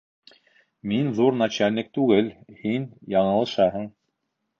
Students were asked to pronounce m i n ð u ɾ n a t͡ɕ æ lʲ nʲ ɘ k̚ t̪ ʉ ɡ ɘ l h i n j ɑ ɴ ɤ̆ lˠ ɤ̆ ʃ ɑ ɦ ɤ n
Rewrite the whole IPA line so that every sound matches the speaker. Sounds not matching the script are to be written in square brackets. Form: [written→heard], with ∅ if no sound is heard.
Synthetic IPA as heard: m i n ð u ɾ n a t͡ɕ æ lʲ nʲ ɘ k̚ t̪ ʉ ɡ ɘ l h i n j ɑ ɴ ɤ̆ lˠ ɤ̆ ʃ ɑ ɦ ɤ [n→ɴ]